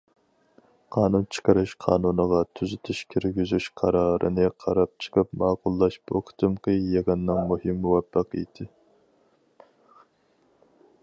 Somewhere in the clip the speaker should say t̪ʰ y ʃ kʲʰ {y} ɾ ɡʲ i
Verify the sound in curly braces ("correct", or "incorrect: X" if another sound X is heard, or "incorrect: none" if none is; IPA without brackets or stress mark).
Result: incorrect: i